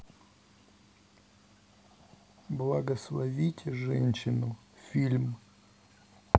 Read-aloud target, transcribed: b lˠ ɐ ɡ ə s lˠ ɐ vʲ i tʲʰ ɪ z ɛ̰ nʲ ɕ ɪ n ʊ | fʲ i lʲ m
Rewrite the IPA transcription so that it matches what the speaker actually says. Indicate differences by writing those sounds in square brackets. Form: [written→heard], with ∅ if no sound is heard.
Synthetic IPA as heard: b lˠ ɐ ɡ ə s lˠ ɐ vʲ i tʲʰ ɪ [z→ʐ] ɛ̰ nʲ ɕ ɪ n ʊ | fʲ i lʲ m